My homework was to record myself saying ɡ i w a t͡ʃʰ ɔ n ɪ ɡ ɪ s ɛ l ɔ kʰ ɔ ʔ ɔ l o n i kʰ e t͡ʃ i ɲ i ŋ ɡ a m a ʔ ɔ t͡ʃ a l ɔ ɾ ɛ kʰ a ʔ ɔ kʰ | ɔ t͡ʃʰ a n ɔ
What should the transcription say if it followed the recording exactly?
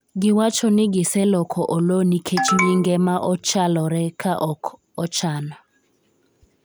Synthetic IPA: ɡ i w a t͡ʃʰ ɔ n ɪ ɡ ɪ s ɛ l ɔ kʰ ɔ ʔ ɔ l o n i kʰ e t͡ʃ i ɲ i ŋ ɡ ɛ m a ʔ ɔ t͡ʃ a l ɔ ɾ ɛ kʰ a ʔ ɔ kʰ | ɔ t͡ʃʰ a n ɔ